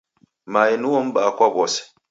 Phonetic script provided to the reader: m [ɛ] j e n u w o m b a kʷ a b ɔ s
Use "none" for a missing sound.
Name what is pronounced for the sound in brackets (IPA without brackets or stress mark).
a